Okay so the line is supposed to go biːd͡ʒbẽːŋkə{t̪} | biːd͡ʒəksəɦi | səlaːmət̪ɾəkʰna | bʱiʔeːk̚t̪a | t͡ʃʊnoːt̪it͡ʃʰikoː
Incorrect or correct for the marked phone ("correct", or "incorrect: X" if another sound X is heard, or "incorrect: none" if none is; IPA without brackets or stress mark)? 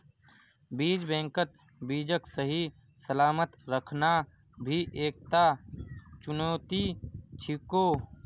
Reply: correct